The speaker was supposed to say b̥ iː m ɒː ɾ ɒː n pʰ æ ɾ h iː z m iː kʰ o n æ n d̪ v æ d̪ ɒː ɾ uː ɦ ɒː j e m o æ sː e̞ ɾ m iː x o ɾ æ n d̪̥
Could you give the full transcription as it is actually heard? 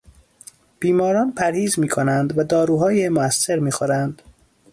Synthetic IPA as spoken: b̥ iː m ɒː ɾ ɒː n pʰ æ ɾ h iː z m iː kʰ o n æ n d̪ v æ d̪ ɒː ɾ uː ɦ ɒː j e m o æ sː e̞ ɾ m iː x o ɾ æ n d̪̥

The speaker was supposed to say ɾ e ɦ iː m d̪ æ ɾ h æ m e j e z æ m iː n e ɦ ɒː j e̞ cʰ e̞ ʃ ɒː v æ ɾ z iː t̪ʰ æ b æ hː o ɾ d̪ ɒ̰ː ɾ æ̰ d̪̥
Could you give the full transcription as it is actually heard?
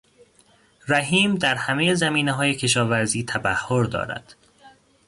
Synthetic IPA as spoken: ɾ æ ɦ iː m d̪ æ ɾ h æ m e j e z æ m iː n e ɦ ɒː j e̞ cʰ e̞ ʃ ɒː v æ ɾ z iː t̪ʰ æ b æ hː o ɾ d̪ ɒ̰ː ɾ æ̰ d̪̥

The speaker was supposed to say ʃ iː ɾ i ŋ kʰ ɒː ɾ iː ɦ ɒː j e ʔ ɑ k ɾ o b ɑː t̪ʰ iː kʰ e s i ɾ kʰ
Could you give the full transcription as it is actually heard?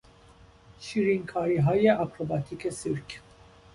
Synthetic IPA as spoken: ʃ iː ɾ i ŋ kʰ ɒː ɾ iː ɦ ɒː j e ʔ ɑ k ɾ o b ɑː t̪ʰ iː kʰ e s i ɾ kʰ

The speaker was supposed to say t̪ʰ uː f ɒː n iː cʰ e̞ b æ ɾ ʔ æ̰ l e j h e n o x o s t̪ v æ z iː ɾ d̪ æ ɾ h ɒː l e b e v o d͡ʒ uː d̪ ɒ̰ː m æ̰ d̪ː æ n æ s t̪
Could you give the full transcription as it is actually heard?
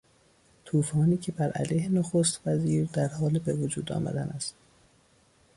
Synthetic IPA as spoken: t̪ʰ uː f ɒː n iː cʰ e̞ b æ ɾ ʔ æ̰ l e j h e n o x o s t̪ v æ z iː ɾ d̪ æ ɾ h ɒː l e b e v o d͡ʒ uː d̪ ɒ̰ː m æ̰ d̪ æ n æ s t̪

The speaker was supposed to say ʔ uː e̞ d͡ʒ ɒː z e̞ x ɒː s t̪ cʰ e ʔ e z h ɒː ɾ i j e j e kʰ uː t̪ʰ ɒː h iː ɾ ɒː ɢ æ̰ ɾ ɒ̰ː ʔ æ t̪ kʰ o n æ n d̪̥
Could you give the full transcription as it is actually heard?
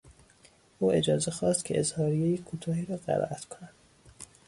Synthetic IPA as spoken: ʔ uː e̞ d͡ʒ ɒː z e̞ x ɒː s t̪ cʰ e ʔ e z h ɒː ɾ i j e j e kʰ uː t̪ʰ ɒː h iː ɾ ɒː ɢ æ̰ ɾ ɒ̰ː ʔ æ t̪ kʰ o n æ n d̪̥

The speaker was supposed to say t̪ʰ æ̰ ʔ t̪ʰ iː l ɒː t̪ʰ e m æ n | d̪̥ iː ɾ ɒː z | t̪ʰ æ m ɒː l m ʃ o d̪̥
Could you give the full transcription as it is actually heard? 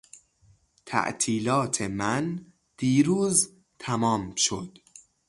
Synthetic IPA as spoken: t̪ʰ æ̰ ʔ t̪ʰ iː l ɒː t̪ʰ e m æ n | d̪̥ iː ɾ uː z | t̪ʰ æ m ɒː m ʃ o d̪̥

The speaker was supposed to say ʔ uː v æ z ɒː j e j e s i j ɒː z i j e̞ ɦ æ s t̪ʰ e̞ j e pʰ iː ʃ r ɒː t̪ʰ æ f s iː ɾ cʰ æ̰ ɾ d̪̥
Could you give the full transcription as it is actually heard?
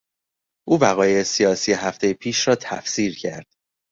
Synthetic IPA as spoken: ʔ uː v æ ɣ ɒː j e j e s i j ɒː s i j e̞ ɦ æ f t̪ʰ e̞ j e pʰ iː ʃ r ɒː t̪ʰ æ f s iː ɾ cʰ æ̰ ɾ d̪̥

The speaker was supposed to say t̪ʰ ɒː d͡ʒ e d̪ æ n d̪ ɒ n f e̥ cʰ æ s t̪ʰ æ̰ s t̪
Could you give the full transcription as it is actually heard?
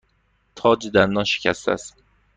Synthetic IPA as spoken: t̪ʰ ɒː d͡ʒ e d̪ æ n d̪ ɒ n ʃ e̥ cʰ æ s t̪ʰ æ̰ s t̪

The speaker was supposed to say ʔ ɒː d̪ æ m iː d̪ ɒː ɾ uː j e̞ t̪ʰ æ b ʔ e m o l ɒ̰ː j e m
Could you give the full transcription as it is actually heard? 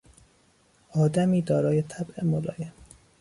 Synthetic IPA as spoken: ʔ ɒː d̪ æ m iː d̪ ɒː ɾ ɒː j e̞ t̪ʰ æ b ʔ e m o l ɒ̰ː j e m

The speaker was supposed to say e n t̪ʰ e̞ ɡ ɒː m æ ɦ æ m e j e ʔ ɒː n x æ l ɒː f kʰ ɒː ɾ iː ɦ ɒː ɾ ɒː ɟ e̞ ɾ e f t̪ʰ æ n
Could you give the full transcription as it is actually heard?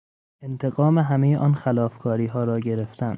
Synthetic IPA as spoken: e n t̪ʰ e̞ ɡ ɒː m e ɦ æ m e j e ʔ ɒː n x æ l ɒː f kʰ ɒː ɾ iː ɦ ɒː ɾ ɒː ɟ e̞ ɾ e f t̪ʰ æ n

